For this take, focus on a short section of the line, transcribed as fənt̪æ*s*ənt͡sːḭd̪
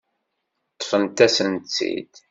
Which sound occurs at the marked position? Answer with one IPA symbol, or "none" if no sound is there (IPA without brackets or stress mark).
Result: s